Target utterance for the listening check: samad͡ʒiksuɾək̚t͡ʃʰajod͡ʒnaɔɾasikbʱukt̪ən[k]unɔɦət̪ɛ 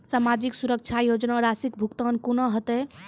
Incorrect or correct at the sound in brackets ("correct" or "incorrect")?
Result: correct